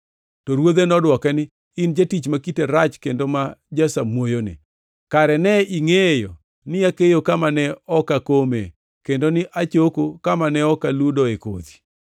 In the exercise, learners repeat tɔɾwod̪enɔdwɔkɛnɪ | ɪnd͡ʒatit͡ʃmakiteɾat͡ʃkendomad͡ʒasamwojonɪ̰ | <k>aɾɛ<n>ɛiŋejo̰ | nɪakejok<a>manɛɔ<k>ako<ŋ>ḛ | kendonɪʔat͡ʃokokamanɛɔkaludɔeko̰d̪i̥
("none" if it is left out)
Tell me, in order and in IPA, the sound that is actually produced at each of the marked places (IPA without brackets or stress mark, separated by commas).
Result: k, n, a, k, m